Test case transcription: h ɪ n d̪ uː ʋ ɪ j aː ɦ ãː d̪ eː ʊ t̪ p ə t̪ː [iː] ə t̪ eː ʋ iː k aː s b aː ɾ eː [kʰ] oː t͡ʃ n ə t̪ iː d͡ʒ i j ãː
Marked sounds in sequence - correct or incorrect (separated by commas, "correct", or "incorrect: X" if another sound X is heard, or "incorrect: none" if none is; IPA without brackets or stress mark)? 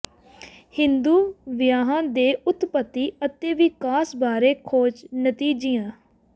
correct, correct